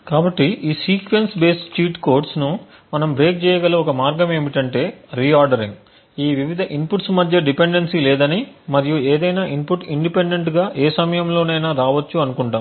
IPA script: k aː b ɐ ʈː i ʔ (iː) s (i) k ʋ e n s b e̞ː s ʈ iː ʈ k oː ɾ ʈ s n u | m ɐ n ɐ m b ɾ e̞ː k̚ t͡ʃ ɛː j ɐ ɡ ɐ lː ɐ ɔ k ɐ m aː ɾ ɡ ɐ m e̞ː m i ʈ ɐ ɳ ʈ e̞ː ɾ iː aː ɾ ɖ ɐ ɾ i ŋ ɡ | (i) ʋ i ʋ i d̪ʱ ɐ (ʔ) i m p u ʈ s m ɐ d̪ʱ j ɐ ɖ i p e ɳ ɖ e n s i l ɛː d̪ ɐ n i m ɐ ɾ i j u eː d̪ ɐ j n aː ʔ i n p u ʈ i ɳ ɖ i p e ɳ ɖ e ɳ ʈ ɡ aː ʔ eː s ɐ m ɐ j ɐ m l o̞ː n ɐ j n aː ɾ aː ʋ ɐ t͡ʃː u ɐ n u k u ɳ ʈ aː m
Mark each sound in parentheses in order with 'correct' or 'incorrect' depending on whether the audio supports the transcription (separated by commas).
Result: correct, incorrect, incorrect, correct